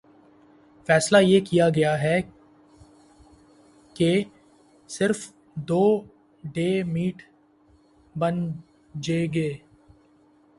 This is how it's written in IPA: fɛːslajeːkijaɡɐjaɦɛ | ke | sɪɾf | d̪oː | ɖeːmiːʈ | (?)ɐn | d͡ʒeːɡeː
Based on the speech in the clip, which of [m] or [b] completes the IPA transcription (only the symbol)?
b